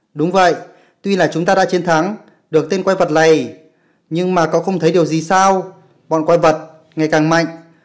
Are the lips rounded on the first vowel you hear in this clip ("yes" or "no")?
yes